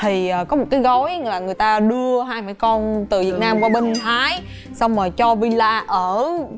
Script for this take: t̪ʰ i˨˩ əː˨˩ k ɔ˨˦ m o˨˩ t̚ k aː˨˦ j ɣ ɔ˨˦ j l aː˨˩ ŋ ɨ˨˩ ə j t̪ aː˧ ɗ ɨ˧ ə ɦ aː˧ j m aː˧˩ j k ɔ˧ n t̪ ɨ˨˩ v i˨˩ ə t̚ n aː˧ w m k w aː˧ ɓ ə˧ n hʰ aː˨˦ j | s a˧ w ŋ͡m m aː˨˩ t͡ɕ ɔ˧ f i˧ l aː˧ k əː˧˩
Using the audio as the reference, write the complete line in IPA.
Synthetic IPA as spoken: t̪ʰ i˨˩ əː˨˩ k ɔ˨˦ m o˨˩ t̚ k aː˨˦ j ɣ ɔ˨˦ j l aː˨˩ ŋ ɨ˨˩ ə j t̪ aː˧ ɗ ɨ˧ ə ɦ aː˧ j m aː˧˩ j k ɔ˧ n t̪ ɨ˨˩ v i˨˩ ə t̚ n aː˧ m k w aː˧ ɓ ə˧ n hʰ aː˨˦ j | s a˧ w ŋ͡m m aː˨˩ t͡ɕ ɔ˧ v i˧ l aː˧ ʔ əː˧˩

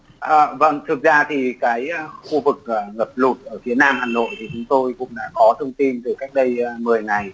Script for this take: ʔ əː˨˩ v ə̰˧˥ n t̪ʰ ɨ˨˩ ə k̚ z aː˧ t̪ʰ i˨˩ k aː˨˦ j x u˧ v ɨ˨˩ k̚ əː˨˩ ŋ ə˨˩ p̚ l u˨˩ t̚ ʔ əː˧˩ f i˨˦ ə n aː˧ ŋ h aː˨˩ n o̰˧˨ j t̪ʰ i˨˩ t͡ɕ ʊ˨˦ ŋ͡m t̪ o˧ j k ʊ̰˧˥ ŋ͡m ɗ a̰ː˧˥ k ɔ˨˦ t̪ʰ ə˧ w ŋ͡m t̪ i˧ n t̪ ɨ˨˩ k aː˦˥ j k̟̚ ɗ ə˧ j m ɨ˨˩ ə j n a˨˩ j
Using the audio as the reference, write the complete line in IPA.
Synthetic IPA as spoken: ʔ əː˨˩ v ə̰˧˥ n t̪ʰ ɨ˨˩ ə k̚ z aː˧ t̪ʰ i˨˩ k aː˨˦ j x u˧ v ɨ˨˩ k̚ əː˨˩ ŋ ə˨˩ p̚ l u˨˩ t̚ ʔ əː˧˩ f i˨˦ ə n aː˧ m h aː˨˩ n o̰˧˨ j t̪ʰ i˨˩ t͡ɕ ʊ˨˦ ŋ͡m t̪ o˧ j k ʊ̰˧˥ ŋ͡m ɗ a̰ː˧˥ k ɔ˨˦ t̪ʰ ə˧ w ŋ͡m t̪ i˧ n t̪ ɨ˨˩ k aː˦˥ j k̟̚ ɗ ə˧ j m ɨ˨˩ ə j ŋ a˨˩ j

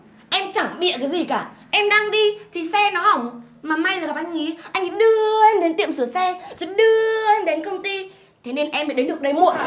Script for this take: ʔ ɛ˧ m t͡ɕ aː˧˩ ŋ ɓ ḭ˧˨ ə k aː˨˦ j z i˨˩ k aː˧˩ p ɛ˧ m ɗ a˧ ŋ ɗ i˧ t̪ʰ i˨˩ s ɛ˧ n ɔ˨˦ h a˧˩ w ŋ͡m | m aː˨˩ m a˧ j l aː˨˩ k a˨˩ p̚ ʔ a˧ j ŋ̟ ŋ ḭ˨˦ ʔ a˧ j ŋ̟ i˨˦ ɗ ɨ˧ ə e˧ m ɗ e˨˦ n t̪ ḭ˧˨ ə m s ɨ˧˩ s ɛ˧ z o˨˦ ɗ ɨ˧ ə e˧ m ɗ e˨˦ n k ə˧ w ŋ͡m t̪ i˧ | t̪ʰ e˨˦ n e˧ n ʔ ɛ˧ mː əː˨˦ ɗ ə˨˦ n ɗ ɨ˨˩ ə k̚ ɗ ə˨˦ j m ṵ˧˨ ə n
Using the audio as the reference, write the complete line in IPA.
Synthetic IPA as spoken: ʔ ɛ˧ m t͡ɕ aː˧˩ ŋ ɓ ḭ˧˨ ə k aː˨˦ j z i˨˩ k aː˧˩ ʔ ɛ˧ m ɗ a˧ ŋ ɗ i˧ t̪ʰ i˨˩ s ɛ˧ n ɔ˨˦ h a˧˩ w ŋ͡m | m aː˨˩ m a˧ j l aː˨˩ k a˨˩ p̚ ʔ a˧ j ŋ̟ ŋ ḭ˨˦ ʔ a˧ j ŋ̟ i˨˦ ɗ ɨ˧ ə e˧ m ɗ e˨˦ n t̪ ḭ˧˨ ə m s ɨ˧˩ s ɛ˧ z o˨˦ ɗ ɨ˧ ə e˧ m ɗ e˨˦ n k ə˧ w ŋ͡m t̪ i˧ | t̪ʰ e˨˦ n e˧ n ʔ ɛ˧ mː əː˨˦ ɗ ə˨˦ n ɗ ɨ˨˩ ə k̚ ɗ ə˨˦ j m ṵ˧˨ ə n

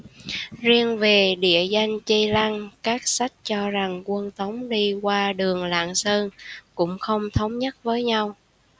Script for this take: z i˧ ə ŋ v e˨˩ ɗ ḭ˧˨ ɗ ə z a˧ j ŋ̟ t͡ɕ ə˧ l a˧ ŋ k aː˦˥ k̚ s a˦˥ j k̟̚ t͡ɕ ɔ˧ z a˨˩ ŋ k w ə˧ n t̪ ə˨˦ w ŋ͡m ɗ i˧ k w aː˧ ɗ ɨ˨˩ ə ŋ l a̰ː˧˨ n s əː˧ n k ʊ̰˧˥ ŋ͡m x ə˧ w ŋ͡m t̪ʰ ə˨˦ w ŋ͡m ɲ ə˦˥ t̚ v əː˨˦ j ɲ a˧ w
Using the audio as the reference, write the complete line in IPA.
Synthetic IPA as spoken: z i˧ ə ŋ v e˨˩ ɗ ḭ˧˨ ə z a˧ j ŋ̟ t͡ɕ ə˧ l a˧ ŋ k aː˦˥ k̚ s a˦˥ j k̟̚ t͡ɕ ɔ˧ z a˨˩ ŋ k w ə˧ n t̪ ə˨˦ w ŋ͡m ɗ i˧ k w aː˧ ɗ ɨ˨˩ ə ŋ l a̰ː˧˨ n s əː˧ n k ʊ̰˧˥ ŋ͡m x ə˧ w ŋ͡m t̪ʰ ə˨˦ w ŋ͡m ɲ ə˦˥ t̚ v əː˨˦ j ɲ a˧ w

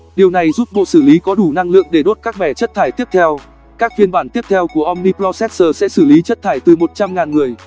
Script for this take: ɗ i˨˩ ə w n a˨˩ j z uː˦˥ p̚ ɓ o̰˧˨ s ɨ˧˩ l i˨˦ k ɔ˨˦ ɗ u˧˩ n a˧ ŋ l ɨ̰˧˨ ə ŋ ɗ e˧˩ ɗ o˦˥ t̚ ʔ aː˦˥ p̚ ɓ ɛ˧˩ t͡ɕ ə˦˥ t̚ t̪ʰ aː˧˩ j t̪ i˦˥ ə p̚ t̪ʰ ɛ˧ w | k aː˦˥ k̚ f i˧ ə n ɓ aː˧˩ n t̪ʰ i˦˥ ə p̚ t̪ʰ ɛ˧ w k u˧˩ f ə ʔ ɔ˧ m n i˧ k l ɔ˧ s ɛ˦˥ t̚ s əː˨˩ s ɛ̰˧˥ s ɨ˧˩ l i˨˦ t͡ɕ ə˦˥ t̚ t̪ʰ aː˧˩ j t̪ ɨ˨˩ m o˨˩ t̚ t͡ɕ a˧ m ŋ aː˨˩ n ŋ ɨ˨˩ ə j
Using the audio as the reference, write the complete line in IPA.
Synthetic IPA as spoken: ɗ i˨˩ ə w n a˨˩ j z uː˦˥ p̚ ɓ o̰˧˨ s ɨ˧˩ l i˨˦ k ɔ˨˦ ɗ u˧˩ n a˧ ŋ l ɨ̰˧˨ ə ŋ ɗ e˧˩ ɗ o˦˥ t̚ k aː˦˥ k̚ ɓ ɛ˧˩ t͡ɕ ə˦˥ t̚ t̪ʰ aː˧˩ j t̪ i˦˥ ə p̚ t̪ʰ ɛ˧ w | k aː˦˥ k̚ f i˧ ə n ɓ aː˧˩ n t̪ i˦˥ ə p̚ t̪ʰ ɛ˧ w k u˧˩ ə ʔ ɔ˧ m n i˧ p l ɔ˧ s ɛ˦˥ t̚ s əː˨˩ s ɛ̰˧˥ s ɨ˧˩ l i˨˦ t͡ɕ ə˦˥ t̚ t̪ʰ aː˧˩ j t̪ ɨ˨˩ m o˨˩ t̚ t͡ɕ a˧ m ŋ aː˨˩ n ŋ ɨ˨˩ ə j

